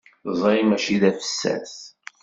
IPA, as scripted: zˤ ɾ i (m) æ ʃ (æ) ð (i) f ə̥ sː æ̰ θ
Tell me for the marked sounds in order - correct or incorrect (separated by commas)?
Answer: correct, incorrect, incorrect